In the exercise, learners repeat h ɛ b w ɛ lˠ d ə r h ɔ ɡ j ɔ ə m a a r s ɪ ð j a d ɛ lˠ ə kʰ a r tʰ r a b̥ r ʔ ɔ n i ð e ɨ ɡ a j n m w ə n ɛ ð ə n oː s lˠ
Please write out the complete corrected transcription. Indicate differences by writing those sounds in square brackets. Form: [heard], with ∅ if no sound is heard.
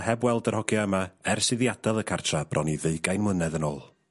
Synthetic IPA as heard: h ɛ b w ɛ lˠ d ə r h ɔ ɡ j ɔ ə m a [ɛ] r s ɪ ð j a d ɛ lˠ ə kʰ a r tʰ r a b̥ r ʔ ɔ n i ð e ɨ ɡ a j n m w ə n ɛ ð ə n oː [∅] lˠ